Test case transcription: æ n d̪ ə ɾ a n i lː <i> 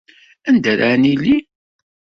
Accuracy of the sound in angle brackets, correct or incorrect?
correct